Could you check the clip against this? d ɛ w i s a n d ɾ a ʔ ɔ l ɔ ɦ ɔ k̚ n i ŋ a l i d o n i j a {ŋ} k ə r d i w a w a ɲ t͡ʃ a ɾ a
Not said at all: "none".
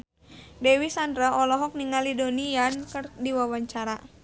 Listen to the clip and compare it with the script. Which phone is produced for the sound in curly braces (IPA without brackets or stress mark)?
n